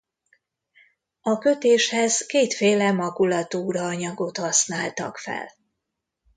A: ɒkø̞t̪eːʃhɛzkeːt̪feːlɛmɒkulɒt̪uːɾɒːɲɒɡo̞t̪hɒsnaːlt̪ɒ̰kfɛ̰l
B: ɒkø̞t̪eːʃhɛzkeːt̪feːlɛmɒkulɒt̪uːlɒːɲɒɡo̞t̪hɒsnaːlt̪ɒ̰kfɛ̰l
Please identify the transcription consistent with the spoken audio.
A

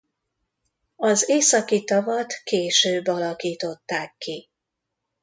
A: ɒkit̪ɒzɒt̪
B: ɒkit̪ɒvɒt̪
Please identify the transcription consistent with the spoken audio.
B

